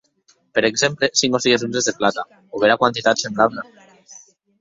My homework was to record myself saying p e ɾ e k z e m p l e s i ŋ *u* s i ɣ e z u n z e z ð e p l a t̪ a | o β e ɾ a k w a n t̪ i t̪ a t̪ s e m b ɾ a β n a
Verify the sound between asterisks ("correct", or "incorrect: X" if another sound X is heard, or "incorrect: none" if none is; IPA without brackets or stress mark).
incorrect: o